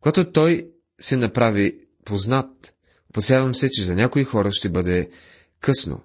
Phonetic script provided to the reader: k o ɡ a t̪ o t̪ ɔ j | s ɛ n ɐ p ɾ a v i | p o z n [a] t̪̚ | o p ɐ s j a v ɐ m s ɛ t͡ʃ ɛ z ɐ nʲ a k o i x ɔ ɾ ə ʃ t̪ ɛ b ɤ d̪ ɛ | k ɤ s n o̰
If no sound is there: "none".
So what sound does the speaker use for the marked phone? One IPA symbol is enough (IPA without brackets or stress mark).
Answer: a